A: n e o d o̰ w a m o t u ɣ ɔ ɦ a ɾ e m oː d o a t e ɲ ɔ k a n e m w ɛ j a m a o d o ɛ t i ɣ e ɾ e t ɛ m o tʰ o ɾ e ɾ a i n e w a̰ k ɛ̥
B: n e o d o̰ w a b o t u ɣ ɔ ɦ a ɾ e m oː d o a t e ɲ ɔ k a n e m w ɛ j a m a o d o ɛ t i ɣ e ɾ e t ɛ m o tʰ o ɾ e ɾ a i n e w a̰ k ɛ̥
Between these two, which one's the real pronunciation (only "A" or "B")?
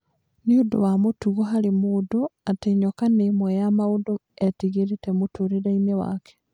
A